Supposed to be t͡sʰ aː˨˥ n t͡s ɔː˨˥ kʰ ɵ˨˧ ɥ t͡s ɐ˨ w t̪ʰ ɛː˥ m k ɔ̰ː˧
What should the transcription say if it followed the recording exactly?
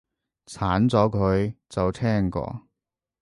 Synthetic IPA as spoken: t͡sʰ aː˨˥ n t͡s ɔː˨˥ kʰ ɵ˨˧ ɥ t͡s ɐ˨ w t̪ʰ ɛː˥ ŋ k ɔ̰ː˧